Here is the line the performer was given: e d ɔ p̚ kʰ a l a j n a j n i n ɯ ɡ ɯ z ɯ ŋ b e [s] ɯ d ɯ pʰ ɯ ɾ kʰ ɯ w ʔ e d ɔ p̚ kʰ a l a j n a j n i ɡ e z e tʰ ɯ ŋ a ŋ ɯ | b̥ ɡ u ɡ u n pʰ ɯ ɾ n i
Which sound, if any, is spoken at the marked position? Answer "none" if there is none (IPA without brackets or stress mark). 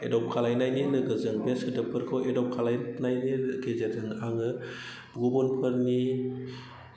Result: s